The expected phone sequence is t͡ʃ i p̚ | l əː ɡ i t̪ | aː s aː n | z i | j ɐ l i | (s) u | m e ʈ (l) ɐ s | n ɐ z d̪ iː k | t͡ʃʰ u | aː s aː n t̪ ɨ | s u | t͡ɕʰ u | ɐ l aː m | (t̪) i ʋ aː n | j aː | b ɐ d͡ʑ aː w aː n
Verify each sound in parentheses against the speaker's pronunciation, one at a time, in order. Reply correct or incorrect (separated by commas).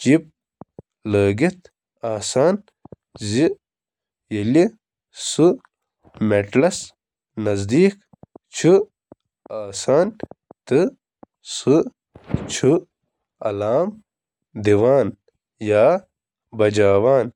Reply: correct, correct, incorrect